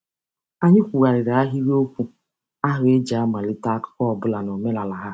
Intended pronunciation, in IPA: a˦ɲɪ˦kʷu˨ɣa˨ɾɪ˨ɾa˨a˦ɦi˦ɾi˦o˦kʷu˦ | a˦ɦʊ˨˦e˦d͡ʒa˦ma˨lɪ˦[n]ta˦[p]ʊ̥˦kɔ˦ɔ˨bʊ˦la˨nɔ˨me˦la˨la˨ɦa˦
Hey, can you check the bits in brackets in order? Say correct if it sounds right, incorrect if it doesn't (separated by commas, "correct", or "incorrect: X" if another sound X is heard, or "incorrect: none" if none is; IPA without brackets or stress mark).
incorrect: none, incorrect: k